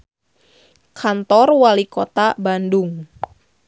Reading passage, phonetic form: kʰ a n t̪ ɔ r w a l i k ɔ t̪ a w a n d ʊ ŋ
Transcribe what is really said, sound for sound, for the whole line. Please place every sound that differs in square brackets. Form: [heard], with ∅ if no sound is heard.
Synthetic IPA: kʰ a n t̪ ɔ r w a l i k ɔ t̪ a [b] a n d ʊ ŋ